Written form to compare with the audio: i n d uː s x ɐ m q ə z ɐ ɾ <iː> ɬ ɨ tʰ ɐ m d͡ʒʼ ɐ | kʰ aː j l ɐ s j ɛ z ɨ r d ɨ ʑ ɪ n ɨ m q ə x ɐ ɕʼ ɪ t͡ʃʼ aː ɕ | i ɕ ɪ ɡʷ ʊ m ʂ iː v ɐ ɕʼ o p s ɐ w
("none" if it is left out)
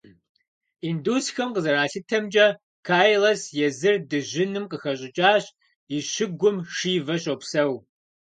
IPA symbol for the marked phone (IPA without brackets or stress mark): aː